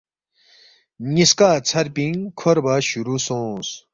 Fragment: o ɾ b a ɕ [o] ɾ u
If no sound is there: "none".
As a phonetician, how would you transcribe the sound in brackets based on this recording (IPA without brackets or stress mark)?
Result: u